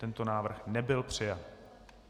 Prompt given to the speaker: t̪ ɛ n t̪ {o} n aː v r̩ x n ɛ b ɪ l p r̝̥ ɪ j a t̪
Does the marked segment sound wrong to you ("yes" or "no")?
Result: no